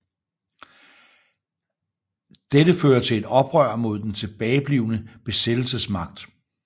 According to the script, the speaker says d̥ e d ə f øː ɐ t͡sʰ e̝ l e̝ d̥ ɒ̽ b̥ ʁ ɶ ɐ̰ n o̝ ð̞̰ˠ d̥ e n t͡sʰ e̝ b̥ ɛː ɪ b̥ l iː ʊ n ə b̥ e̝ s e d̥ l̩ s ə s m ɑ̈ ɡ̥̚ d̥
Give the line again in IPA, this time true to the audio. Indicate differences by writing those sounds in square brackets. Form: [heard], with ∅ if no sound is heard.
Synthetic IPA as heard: d̥ e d ə f øː ɐ t͡sʰ e̝ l e̝ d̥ ɒ̽ b̥ ʁ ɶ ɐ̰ [m] o̝ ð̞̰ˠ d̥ e n t͡sʰ e̝ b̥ ɛː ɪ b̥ l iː ʊ n ə b̥ e̝ s e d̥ l̩ s ə s m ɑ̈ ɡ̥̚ d̥